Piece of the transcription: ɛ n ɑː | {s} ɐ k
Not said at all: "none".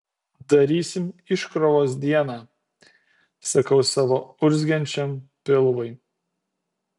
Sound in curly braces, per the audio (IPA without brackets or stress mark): s